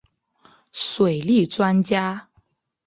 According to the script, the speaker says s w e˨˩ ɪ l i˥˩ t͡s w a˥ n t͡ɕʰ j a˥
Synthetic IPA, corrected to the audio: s w e˨˩ ɪ l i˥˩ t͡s w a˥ n t͡ɕ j a˥